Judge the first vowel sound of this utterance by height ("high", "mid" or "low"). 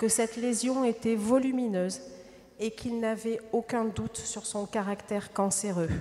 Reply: mid